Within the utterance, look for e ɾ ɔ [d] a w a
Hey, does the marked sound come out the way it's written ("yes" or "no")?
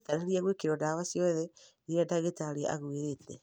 yes